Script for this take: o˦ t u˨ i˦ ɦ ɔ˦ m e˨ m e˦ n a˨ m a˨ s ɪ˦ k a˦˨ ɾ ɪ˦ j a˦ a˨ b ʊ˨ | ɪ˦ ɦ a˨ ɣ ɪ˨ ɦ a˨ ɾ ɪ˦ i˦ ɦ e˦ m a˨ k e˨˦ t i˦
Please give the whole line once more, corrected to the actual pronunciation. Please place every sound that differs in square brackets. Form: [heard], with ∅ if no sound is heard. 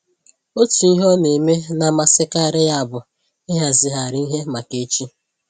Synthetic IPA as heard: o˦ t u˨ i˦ ɦ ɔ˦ [n] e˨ m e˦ n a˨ m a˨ s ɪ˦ k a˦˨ ɾ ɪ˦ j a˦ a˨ b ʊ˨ | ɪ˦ ɦ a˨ [z] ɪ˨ ɦ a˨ ɾ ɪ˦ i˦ ɦ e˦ m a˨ k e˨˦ [t͡ʃ] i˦